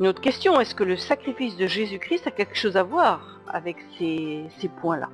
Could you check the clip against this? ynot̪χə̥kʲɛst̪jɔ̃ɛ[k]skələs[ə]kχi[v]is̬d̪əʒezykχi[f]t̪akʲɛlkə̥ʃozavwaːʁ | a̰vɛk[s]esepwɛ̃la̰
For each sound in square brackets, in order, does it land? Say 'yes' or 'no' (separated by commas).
no, no, no, no, yes